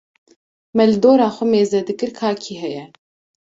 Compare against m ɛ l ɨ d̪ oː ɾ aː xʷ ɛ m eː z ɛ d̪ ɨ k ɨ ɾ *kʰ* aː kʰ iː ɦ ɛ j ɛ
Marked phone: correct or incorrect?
correct